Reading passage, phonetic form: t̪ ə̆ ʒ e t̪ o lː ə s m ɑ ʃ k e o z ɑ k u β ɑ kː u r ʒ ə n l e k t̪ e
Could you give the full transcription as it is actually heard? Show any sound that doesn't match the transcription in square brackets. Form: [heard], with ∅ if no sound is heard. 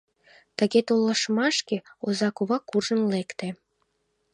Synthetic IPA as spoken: t̪ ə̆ [ɣ] e t̪ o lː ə [ʃ] m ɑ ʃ k e o z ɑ k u β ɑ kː u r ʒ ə n l e k t̪ e